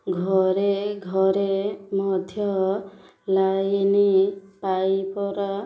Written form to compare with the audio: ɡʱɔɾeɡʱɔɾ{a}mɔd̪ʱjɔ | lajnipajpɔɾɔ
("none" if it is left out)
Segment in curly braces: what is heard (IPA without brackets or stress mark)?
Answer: e